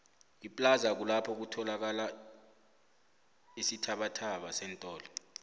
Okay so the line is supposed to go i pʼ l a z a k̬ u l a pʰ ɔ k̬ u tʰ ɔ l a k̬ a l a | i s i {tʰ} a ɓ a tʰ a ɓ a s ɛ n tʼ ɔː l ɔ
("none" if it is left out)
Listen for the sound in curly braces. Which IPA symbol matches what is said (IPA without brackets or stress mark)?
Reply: tʰ